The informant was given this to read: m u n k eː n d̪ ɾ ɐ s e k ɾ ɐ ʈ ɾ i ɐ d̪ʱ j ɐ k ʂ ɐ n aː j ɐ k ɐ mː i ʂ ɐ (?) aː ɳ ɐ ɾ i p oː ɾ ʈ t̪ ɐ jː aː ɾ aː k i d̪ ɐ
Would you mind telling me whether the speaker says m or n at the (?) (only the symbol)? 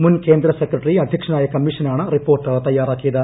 n